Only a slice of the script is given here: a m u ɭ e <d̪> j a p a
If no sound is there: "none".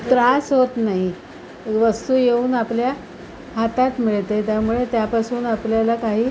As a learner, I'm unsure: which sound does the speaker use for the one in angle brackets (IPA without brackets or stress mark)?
t̪